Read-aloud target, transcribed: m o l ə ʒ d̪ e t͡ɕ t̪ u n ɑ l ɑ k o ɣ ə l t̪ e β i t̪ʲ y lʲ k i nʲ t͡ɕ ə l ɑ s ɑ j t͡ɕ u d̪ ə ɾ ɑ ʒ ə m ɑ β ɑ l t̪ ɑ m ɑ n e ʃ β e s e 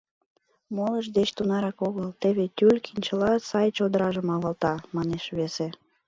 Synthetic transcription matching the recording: m o l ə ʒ d̪ e t͡ɕ t̪ u n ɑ ɾ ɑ k o ɣ ə l t̪ e β e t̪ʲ y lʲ k i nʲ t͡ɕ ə l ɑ s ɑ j t͡ɕ o d̪ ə ɾ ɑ ʒ ə m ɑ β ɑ l t̪ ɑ m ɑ n e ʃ β e s e

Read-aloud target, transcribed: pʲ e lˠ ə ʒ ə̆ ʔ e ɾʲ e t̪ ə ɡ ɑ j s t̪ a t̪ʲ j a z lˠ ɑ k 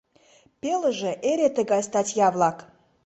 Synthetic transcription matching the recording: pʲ e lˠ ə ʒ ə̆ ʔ e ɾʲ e t̪ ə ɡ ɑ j s t̪ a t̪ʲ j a v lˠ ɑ k

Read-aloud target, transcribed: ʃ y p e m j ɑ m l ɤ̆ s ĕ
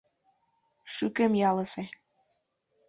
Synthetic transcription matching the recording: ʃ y k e m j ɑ l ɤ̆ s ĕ

